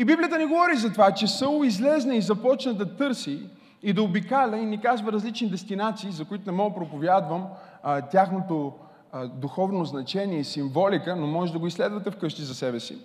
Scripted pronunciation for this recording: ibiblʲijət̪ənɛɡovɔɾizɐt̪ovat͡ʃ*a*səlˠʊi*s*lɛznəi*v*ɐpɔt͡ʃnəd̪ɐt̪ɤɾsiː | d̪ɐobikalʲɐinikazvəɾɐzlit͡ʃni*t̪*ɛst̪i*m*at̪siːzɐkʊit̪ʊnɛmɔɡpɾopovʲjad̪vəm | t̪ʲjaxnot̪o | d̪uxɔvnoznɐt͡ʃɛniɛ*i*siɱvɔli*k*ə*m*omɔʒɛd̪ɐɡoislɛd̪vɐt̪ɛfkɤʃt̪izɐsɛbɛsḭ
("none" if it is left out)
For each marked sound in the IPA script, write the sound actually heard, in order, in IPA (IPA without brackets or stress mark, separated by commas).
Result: ɛ, z, z, d̪, n, i, k, n